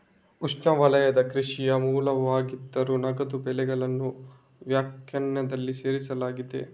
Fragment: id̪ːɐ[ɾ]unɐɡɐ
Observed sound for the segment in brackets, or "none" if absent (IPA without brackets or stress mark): ɾ